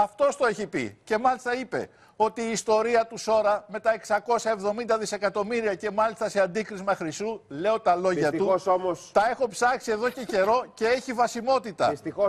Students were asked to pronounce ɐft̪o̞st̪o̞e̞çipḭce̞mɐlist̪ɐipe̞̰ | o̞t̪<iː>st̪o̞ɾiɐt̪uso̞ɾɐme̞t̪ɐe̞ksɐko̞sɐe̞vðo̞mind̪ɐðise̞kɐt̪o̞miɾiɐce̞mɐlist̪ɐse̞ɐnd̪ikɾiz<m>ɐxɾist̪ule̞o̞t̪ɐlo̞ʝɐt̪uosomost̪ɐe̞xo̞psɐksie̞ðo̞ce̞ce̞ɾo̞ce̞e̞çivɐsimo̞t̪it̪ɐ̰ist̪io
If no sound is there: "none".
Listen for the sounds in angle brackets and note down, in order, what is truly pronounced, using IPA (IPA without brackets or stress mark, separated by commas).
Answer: iː, m